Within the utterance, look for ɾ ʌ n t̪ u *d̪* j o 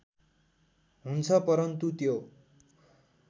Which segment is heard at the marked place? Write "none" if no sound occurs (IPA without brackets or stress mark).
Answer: t̪